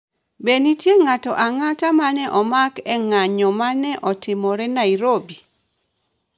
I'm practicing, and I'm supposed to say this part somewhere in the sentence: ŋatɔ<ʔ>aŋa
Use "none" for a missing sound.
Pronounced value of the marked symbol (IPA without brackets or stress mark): ʔ